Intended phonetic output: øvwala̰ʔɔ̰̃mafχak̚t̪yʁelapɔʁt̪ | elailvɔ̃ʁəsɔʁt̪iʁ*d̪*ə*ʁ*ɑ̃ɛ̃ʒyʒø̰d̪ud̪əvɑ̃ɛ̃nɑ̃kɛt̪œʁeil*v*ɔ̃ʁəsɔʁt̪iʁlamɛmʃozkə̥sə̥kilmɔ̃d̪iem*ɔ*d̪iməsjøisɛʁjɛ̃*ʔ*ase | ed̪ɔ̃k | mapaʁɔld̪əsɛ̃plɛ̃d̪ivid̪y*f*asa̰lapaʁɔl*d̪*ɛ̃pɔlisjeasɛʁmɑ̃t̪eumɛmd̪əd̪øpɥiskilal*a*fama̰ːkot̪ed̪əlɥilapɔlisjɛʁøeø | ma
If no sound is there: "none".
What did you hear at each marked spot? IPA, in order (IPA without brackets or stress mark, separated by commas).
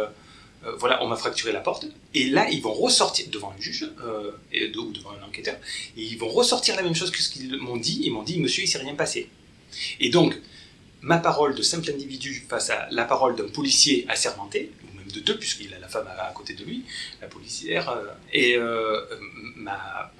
d̪, v, v, ɔ̃, p, f, d̪, a